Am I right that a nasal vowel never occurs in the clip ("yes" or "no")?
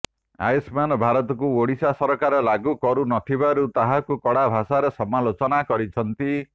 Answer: yes